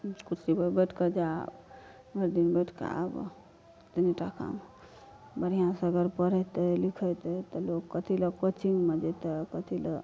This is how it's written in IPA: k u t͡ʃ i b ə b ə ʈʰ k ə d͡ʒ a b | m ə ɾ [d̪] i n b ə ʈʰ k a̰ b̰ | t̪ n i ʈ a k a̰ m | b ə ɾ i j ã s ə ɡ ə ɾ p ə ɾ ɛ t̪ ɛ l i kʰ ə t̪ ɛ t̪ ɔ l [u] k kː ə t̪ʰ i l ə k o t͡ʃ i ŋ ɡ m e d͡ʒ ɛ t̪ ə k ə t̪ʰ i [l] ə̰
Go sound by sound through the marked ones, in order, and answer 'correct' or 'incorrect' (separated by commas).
correct, incorrect, correct